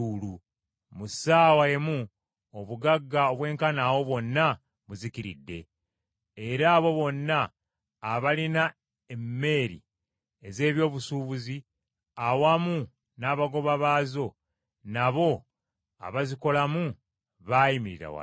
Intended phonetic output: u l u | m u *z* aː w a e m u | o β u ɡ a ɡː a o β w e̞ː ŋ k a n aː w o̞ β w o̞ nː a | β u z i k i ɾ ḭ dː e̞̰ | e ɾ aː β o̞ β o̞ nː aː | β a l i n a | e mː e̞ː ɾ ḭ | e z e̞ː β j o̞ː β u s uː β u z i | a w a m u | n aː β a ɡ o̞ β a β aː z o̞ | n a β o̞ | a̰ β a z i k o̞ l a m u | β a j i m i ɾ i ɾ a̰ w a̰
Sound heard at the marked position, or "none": s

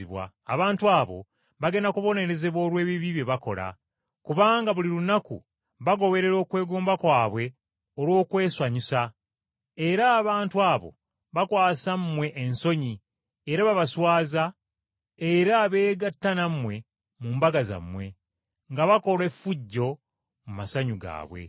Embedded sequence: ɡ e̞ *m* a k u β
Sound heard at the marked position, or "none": n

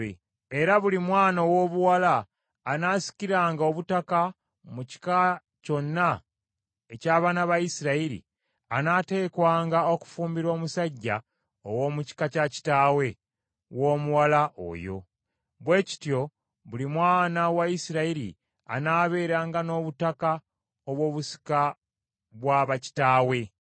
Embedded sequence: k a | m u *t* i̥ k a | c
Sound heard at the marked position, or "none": c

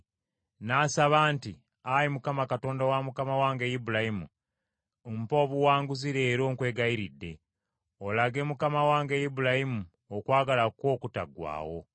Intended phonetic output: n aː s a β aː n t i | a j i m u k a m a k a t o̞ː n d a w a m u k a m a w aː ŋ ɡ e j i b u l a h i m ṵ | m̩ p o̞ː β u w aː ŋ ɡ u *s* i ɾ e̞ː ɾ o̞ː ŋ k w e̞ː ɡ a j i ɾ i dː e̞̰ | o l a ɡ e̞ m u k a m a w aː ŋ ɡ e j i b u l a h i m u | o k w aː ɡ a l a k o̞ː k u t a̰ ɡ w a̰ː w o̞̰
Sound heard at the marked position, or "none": z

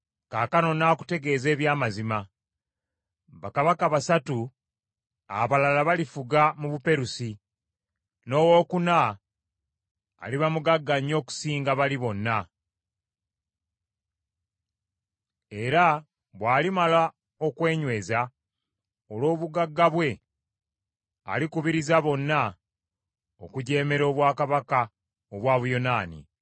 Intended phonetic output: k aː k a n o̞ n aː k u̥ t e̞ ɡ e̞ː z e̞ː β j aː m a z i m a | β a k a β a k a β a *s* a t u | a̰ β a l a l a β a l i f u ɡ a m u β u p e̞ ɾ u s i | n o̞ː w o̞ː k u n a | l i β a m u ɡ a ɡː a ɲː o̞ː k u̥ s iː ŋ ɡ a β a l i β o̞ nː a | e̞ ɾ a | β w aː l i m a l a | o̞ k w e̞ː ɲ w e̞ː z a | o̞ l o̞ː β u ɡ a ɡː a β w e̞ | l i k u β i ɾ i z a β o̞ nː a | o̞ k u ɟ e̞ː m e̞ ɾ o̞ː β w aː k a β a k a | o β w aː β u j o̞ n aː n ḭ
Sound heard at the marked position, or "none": s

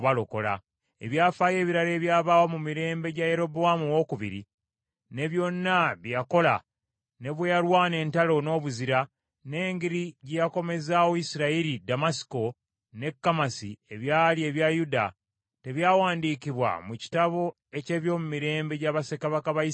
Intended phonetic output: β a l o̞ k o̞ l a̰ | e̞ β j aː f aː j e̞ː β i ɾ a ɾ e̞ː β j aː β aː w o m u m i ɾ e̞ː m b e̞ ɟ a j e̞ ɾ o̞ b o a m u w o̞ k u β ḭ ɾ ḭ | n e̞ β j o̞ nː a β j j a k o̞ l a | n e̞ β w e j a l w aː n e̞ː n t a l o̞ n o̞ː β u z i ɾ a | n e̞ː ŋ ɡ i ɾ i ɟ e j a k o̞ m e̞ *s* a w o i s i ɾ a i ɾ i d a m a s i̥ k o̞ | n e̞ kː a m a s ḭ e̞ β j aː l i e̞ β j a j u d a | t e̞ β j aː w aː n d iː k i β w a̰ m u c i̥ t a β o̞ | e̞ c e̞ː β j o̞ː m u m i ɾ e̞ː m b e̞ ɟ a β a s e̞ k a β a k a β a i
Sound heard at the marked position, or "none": z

